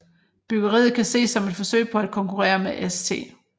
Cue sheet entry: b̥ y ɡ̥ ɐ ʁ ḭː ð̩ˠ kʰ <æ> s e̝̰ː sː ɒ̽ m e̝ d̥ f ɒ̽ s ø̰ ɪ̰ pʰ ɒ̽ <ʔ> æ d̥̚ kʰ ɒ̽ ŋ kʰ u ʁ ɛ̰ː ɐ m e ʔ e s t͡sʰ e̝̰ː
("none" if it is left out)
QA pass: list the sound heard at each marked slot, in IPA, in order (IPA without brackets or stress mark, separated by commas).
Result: æ, none